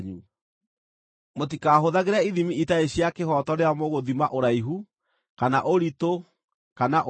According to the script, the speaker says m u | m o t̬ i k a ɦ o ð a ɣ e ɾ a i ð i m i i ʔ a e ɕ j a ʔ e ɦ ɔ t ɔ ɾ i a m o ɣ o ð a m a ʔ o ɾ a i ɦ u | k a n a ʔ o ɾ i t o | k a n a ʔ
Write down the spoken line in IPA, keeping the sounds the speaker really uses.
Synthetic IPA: ɲ u | m o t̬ i k a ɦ o ð a ɣ e ɾ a i ð i m i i t a e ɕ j a k e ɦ ɔ t ɔ ɾ e a m o ɣ o ð i m a ʔ o ɾ a i ɦ u | k a n a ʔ o ɾ i t o | k a n a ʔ